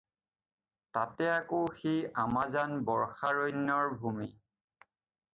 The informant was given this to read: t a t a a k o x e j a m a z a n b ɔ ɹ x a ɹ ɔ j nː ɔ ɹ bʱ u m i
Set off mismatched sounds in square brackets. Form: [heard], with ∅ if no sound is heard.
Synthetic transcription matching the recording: t a t [ɛ] a k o x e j a m a z a n b ɔ ɹ x a ɹ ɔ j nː ɔ ɹ bʱ u m i